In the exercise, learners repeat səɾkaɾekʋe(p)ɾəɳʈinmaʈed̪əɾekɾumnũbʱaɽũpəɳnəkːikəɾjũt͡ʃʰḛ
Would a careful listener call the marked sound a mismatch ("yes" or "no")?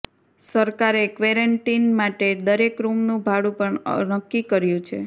yes